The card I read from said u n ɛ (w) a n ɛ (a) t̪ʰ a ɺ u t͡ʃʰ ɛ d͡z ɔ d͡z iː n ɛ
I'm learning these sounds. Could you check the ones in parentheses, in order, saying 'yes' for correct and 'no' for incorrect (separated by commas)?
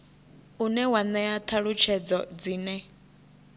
yes, yes